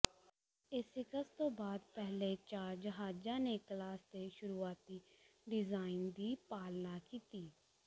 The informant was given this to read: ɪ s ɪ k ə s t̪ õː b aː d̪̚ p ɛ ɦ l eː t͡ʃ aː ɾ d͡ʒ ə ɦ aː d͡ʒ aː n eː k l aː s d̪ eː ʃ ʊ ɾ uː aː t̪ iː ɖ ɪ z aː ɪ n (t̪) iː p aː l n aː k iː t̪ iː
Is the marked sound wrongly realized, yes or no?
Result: yes